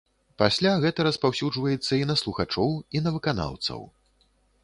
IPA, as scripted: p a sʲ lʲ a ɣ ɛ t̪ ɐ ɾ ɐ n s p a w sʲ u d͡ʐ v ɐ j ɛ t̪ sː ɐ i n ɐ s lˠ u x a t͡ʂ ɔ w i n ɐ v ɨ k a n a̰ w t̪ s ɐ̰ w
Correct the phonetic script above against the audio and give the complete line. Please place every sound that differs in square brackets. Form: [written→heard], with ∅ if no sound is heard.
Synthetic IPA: p a sʲ lʲ a ɣ ɛ t̪ ɐ ɾ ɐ [n→∅] s p a w sʲ u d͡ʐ v ɐ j ɛ t̪ sː ɐ i n ɐ s lˠ u x a t͡ʂ ɔ w i n ɐ v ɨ k a n a̰ w t̪ s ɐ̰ w